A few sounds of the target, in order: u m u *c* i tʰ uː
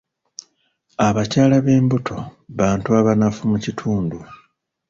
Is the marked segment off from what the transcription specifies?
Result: no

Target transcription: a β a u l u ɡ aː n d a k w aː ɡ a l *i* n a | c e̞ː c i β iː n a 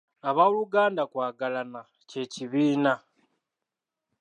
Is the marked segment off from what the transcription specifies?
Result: yes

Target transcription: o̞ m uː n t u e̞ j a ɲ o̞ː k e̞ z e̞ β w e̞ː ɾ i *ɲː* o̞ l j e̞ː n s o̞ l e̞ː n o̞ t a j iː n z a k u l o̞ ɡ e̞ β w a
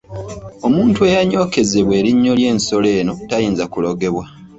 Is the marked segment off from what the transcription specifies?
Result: no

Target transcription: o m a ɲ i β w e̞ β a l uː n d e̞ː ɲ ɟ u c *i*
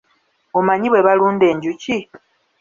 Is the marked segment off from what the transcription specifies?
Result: no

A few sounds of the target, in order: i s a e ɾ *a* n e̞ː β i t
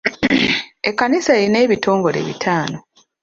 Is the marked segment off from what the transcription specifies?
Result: yes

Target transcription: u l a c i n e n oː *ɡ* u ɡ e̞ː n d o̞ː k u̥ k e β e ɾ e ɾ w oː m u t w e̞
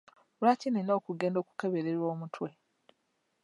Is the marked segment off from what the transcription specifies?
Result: yes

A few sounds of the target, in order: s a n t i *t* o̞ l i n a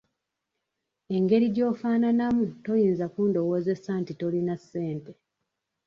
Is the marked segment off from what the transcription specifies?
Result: no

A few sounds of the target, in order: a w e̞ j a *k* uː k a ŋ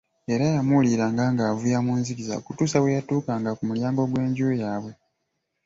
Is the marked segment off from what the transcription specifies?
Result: yes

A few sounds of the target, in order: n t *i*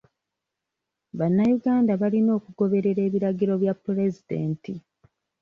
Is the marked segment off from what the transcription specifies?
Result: no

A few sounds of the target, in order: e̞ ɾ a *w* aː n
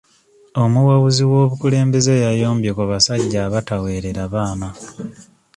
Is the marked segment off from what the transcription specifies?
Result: yes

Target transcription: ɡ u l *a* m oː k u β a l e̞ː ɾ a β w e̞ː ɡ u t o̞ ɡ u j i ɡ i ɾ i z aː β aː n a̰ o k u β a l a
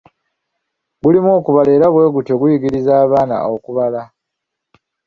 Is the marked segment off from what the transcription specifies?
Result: yes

